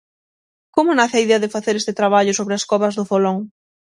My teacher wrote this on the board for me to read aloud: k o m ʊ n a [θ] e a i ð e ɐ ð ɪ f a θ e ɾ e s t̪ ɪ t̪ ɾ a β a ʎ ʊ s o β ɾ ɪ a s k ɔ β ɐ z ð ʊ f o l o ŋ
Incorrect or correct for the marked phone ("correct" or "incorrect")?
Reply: correct